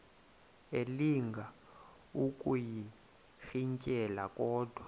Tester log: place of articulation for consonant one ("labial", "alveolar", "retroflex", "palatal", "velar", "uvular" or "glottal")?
alveolar